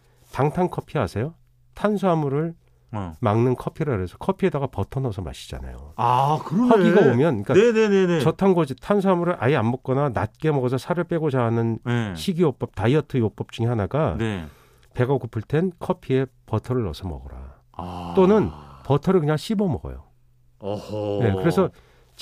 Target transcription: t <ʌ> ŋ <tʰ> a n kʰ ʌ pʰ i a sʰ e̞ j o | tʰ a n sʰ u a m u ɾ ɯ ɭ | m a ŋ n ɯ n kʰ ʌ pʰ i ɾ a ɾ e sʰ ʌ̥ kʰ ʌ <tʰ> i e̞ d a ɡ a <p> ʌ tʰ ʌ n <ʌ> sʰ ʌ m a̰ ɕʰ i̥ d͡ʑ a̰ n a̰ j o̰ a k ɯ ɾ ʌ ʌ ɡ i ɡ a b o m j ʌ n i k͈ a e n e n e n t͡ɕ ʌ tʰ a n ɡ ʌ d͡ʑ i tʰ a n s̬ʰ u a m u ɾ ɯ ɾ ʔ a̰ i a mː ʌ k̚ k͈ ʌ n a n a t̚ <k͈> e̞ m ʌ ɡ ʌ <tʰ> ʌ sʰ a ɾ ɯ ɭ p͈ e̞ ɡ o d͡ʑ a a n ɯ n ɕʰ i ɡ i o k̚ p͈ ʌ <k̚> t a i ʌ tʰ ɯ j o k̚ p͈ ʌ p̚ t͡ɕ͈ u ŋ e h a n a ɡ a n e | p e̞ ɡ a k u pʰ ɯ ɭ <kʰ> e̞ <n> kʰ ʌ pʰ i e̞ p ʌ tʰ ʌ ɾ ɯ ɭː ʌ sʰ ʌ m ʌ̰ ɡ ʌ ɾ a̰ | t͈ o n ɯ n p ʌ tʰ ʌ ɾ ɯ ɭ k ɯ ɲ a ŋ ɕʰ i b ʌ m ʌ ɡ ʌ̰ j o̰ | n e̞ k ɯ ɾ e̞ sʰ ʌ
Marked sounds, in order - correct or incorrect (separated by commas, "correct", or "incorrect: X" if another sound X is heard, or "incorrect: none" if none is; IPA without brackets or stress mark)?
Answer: incorrect: a, correct, incorrect: pʰ, correct, correct, correct, incorrect: sʰ, incorrect: p̚, incorrect: tʰ, correct